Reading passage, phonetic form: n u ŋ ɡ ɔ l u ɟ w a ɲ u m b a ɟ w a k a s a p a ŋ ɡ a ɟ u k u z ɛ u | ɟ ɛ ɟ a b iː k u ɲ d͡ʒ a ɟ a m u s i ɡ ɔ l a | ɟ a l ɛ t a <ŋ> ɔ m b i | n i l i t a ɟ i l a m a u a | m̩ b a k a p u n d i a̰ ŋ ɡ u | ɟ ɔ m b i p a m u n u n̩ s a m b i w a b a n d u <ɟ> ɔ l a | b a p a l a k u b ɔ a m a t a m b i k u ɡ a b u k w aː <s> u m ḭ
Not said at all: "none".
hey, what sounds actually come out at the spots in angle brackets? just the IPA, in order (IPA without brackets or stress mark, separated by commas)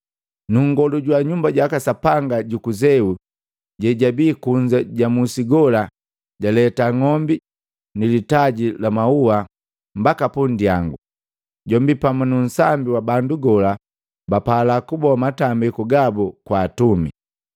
ŋ, ɡ, t